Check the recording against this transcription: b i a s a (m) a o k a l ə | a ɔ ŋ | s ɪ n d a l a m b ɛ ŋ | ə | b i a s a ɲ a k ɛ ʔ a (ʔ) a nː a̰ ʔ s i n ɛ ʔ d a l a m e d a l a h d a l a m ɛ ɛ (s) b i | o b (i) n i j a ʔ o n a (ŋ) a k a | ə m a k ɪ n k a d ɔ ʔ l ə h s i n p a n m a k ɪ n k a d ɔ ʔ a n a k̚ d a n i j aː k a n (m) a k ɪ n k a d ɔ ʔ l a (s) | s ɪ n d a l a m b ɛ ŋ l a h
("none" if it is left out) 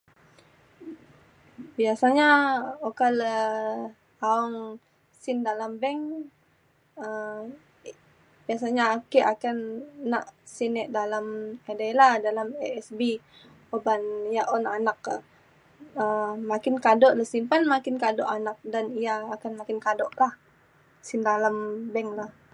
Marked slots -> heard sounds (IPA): ɲ, k, s, a, n, m, h

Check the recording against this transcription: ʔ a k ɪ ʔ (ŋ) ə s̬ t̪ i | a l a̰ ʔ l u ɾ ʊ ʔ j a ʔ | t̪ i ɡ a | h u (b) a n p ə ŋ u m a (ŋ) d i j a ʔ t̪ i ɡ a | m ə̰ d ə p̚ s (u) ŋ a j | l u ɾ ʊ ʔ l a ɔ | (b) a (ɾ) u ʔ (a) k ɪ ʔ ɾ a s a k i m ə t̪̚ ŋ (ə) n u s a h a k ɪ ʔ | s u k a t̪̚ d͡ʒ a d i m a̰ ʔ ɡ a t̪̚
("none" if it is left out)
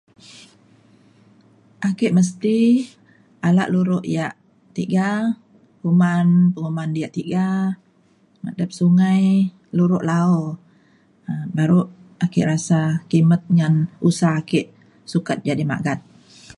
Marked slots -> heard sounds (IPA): m, m, n, u, b, ɾ, a, a

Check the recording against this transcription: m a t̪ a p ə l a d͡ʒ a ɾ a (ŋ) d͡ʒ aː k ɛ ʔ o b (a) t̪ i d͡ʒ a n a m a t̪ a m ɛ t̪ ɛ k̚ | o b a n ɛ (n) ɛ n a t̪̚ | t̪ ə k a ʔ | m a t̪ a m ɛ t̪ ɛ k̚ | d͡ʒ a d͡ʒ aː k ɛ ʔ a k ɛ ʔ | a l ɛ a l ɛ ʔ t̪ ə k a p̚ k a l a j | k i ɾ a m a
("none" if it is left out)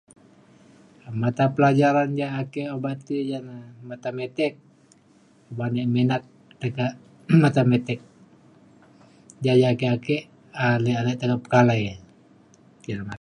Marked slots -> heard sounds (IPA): n, a, m

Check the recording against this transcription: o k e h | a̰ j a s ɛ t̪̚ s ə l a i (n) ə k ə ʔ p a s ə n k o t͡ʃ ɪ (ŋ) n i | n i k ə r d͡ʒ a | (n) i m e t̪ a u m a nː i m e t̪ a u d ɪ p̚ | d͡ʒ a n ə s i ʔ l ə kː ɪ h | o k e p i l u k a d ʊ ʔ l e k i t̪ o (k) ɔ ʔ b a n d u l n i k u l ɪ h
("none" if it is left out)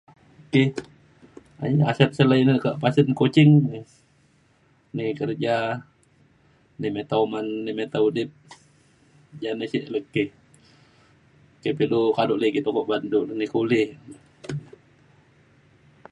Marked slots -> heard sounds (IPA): n, ŋ, n, k

